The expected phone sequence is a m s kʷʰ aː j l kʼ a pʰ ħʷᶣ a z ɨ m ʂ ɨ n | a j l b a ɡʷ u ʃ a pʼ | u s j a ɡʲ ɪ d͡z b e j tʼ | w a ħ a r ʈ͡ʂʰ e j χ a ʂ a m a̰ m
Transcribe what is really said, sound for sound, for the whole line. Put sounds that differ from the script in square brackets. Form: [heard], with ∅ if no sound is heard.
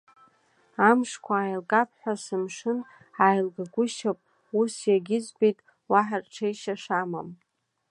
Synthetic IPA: a m [ʂ] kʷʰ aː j l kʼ a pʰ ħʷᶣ a [s] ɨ m ʂ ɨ n | a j l [ɡ] a ɡʷ [ʊ] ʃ a pʼ | u s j a ɡʲ ɪ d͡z b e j tʼ | w a ħ a r ʈ͡ʂʰ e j [ʃ] a ʂ a m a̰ m